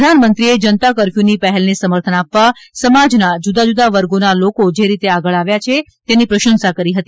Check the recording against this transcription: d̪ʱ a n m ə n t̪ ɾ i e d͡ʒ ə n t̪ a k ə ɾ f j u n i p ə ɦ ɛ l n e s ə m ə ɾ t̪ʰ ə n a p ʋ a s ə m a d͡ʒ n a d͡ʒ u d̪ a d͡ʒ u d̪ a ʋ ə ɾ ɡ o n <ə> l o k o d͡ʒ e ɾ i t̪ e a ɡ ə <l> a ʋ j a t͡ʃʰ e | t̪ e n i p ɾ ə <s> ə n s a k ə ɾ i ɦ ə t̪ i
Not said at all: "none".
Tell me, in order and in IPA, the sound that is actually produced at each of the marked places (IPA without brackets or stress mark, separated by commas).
a, ɭ, ʃ